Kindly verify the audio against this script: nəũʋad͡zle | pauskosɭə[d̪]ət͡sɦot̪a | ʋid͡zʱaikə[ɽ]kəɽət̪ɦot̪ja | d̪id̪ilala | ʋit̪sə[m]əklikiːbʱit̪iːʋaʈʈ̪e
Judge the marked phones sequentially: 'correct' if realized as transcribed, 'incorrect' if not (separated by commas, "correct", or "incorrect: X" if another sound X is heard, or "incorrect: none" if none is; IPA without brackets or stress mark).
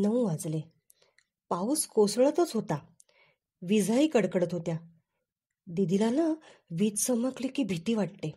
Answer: incorrect: t̪, correct, correct